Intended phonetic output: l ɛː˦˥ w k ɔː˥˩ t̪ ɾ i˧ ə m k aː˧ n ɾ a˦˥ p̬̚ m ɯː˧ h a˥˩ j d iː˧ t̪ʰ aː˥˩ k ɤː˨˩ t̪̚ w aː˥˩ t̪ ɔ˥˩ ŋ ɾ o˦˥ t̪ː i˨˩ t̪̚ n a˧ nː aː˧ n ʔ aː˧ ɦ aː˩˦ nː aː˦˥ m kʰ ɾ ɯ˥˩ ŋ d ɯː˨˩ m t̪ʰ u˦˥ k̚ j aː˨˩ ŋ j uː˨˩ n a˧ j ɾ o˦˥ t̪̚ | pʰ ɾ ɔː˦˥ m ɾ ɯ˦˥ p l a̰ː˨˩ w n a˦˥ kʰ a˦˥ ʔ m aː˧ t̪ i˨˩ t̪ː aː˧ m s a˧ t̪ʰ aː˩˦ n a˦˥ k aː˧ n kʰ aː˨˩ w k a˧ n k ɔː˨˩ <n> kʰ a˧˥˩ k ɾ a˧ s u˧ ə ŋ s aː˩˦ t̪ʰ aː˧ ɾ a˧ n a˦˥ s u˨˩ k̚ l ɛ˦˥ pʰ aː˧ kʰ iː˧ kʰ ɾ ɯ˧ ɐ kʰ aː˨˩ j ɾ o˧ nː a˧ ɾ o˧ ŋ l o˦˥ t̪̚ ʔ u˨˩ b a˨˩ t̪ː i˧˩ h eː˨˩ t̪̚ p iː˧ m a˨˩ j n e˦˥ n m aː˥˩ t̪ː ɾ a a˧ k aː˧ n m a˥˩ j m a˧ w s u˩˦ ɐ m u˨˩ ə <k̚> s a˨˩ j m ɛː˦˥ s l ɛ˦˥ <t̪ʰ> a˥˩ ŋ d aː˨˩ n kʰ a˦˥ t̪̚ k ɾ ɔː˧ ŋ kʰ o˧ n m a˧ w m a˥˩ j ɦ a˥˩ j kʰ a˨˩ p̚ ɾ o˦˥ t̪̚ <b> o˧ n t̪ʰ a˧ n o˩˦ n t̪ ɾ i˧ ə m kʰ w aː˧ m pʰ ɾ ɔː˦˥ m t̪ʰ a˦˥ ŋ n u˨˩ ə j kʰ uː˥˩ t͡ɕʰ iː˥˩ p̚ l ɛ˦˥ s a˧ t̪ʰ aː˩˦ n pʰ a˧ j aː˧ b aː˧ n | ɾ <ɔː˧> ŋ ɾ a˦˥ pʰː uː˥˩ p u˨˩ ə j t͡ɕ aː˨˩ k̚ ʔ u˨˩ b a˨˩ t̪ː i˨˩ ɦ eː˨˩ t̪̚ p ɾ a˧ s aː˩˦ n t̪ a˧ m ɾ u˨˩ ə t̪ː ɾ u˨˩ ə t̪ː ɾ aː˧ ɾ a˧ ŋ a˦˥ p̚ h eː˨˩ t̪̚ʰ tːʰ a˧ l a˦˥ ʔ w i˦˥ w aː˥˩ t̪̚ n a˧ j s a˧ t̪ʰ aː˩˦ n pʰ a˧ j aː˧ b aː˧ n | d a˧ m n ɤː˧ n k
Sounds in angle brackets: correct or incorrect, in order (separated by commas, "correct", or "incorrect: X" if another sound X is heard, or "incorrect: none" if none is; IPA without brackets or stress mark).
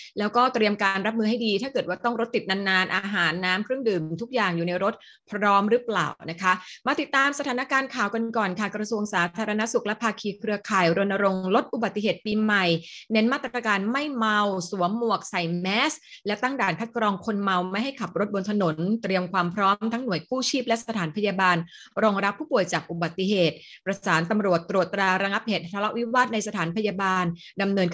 correct, correct, incorrect: t̪, correct, correct